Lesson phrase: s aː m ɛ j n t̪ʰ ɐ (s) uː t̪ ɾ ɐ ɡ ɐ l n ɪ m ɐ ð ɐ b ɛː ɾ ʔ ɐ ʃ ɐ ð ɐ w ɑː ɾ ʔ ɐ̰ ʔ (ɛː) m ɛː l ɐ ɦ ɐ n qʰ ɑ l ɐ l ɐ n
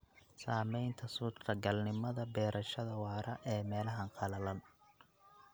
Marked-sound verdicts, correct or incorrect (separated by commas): correct, correct